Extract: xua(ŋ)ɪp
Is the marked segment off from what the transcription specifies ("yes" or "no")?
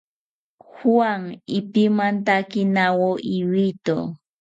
no